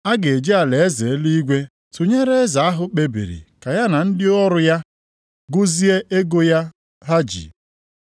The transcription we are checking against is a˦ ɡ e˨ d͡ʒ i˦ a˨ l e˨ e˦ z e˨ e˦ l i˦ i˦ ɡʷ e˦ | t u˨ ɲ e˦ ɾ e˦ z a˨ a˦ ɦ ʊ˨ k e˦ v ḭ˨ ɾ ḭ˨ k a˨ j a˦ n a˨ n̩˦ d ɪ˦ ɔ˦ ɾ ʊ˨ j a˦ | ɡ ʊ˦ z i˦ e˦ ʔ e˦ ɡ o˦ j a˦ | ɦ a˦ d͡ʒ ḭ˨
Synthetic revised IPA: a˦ ɡ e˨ d͡ʒ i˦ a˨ l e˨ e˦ z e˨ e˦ l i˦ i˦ ɡʷ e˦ | t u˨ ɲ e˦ ɾ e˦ z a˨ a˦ ɦ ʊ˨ k͡p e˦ b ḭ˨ ɾ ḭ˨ k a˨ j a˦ n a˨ n̩˦ d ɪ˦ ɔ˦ ɾ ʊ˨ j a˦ | ɡ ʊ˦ z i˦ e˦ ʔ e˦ ɡ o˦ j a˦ | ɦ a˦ d͡ʒ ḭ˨